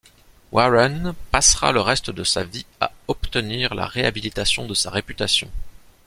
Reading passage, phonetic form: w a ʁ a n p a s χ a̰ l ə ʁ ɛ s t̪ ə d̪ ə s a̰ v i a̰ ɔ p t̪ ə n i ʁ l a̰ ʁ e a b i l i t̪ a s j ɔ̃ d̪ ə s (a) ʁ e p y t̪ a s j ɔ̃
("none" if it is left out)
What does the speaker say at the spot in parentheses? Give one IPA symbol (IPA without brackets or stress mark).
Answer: a